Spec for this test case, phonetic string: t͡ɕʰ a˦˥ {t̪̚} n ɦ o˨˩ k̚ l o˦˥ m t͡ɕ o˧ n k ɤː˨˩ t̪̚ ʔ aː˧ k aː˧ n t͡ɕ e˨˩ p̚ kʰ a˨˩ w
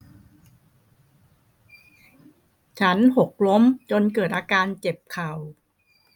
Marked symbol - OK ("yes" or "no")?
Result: no